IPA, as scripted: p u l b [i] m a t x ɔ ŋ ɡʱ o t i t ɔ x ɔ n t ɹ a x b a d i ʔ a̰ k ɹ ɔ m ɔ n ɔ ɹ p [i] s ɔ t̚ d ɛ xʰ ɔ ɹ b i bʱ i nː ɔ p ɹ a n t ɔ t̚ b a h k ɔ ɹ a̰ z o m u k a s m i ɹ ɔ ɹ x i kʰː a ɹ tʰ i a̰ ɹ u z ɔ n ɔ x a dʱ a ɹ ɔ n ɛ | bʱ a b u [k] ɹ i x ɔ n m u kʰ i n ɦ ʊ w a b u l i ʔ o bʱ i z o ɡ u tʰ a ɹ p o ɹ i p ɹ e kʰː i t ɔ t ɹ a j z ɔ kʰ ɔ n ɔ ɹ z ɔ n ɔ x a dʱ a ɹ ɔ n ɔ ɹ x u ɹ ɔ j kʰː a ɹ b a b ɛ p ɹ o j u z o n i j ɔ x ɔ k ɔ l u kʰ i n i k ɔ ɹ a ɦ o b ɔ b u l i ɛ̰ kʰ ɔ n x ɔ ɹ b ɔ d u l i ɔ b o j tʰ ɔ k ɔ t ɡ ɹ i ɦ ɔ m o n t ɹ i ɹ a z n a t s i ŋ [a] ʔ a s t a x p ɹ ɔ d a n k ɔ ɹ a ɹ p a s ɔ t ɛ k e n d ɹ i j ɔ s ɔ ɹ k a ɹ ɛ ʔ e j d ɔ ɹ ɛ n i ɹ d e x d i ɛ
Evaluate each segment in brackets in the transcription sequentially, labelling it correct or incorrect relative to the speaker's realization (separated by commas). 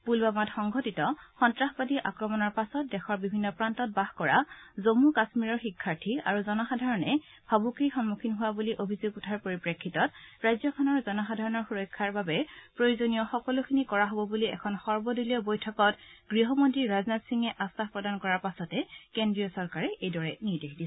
incorrect, incorrect, correct, incorrect